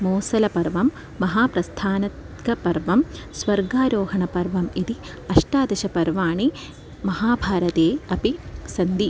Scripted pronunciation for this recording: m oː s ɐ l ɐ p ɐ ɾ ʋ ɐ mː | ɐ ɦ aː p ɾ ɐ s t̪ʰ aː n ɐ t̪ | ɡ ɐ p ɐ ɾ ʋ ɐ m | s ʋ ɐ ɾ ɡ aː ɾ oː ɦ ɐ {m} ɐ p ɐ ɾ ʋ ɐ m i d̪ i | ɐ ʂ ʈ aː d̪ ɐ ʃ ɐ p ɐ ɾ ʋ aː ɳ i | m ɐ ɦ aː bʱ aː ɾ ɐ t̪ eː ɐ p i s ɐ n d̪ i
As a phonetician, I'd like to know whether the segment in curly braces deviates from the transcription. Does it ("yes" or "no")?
yes